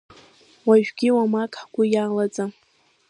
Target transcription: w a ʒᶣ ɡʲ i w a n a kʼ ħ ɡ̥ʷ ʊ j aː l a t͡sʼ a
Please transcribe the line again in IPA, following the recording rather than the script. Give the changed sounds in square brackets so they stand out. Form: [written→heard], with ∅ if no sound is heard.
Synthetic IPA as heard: w a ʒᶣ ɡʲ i w a [n→m] a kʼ ħ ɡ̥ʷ ʊ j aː l a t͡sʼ a